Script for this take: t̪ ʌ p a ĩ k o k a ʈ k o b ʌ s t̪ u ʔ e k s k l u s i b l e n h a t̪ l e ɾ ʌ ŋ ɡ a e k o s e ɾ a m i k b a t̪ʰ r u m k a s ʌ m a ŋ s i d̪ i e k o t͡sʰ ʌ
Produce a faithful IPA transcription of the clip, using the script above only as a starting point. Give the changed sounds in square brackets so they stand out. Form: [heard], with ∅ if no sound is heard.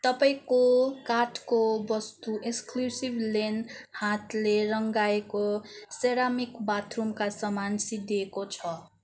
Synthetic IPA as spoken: t̪ ʌ p a ĩ k o k a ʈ k o b ʌ s t̪ u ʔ e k s k l u s i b l e n h a t̪ l e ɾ ʌ ŋ ɡ a e k o s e ɾ a m i k b a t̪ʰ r u m k a s ʌ m a [n] s i d̪ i e k o t͡sʰ ʌ